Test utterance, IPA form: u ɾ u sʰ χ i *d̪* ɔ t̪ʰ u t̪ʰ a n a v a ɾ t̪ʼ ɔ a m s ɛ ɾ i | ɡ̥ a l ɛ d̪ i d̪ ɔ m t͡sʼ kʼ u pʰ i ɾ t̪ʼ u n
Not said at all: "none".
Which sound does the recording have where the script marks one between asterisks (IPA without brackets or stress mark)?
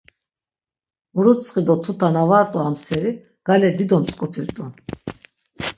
d̪